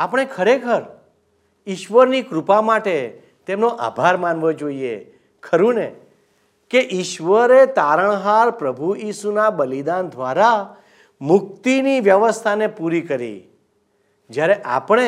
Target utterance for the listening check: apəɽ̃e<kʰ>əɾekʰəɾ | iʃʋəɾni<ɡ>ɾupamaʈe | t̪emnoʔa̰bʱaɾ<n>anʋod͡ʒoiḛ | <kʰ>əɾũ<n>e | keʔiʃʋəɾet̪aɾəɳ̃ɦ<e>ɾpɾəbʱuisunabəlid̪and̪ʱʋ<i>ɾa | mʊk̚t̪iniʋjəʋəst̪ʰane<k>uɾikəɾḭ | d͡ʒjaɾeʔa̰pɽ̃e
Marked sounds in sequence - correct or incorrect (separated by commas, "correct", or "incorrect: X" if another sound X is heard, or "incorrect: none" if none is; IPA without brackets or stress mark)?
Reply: correct, incorrect: k, incorrect: m, correct, correct, incorrect: a, incorrect: a, incorrect: p